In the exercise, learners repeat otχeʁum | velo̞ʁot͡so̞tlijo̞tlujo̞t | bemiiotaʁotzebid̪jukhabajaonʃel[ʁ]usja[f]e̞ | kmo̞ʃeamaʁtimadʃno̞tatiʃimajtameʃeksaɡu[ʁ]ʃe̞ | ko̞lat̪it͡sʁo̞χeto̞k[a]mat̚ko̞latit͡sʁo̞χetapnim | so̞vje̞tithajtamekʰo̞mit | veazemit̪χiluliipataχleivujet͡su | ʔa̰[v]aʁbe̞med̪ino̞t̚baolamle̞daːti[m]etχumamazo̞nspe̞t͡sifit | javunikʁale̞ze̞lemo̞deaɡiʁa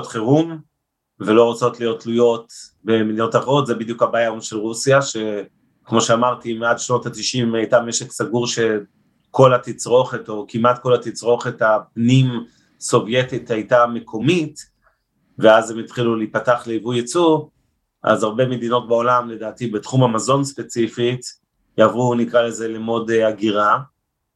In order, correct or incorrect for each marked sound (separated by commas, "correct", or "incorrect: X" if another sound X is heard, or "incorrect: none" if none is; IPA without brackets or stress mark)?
correct, incorrect: ʃ, correct, incorrect: i, incorrect: z, incorrect: b